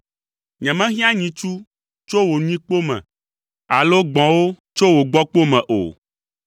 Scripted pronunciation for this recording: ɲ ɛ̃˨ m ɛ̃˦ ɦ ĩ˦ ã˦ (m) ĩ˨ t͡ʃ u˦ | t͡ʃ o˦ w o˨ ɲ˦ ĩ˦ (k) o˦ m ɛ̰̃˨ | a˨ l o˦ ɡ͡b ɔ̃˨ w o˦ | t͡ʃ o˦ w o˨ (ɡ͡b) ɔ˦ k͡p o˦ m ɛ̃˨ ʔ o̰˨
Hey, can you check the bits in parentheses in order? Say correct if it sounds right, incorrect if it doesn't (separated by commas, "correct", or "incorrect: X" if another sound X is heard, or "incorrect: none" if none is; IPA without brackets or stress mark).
incorrect: ɲ, incorrect: k͡p, correct